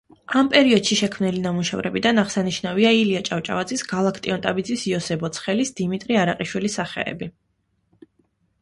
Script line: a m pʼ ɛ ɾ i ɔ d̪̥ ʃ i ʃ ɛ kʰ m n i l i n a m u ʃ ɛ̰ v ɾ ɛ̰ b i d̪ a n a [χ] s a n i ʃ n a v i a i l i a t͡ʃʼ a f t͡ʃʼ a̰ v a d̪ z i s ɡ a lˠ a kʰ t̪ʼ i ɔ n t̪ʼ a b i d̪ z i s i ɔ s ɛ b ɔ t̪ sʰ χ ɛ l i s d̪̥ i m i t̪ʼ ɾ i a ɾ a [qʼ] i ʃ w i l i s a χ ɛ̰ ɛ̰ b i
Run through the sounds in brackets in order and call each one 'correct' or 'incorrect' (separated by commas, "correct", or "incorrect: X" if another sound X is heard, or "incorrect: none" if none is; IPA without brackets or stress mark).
incorrect: ʁ, correct